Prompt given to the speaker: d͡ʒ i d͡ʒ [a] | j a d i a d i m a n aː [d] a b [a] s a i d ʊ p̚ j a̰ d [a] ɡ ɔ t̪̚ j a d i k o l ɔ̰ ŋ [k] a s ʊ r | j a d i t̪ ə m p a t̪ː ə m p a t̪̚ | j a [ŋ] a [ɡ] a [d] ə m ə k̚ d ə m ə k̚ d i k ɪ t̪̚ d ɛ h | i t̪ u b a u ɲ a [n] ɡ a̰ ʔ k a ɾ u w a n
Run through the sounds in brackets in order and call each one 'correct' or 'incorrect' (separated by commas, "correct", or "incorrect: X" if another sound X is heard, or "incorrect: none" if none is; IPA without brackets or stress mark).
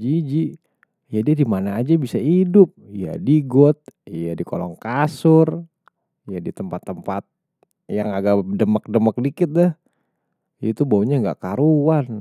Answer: incorrect: i, incorrect: d͡ʒ, incorrect: i, incorrect: i, correct, correct, correct, correct, incorrect: ŋ